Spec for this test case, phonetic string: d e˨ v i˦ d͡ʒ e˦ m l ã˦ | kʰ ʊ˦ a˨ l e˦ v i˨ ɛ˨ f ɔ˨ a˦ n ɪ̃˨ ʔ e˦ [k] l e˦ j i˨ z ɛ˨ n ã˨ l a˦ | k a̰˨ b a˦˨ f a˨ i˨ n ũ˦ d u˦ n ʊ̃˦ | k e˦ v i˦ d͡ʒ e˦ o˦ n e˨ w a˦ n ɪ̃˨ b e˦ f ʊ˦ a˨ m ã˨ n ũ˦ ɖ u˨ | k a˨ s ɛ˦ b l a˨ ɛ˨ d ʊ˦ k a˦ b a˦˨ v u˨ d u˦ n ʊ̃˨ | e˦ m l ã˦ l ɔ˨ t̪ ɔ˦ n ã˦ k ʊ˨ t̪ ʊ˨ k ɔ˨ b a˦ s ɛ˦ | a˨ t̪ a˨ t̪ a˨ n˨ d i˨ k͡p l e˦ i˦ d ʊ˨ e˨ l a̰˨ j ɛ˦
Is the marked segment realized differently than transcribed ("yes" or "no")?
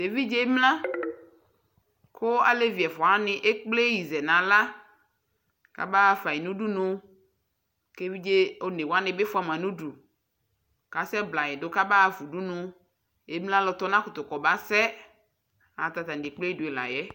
yes